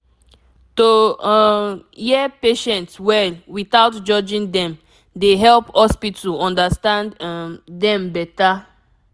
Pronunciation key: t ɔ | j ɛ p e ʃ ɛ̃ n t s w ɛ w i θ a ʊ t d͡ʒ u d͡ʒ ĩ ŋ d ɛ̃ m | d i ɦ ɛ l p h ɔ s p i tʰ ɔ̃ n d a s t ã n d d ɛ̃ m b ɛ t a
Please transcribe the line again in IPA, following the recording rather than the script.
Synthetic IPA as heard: t o | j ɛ p e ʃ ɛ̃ n t s w ɛ w i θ a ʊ t d͡ʒ ɔ d͡ʒ ĩ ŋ d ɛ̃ m | d e ɦ ɛ l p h ɔ s p i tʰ ɔ̃ n d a s t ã n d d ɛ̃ m b ɛ t a